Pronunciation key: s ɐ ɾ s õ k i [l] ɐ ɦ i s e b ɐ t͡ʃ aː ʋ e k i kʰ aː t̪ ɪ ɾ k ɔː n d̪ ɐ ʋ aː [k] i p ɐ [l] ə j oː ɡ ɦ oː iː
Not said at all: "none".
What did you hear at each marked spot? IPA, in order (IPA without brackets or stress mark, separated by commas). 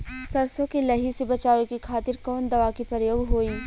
l, k, ɾ